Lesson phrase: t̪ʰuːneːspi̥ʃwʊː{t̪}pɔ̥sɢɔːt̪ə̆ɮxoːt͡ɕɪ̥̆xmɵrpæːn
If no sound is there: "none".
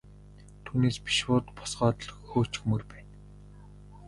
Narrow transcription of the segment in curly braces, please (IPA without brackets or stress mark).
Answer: t̪